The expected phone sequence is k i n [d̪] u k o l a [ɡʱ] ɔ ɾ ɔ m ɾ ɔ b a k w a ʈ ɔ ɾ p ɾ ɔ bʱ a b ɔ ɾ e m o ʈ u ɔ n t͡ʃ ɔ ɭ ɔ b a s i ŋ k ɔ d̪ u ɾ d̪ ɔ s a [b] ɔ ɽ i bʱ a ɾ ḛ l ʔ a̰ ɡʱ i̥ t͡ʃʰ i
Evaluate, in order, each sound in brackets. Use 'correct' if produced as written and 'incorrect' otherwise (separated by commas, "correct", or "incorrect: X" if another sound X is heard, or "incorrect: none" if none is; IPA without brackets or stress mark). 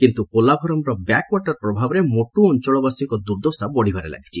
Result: incorrect: t̪, incorrect: bʱ, correct